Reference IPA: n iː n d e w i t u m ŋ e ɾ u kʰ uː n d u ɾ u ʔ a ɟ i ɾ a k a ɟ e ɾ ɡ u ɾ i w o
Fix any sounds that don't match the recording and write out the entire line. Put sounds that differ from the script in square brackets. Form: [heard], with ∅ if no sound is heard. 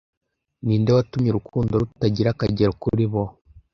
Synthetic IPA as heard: n iː n d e w [a] t u m [ɲ] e ɾ u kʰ uː n d [o] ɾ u [t] a ɟ i ɾ a k a ɟ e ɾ [k] u ɾ i [β] o